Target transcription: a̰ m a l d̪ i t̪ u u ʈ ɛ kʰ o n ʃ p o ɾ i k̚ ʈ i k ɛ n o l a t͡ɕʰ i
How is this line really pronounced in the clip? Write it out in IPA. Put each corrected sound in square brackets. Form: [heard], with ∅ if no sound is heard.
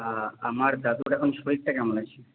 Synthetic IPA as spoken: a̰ m a [ɾ] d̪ [a] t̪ u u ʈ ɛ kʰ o n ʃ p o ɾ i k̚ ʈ [a] k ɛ [m] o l a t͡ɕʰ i